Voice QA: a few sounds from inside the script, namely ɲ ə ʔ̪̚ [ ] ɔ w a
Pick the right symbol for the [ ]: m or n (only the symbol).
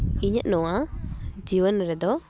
n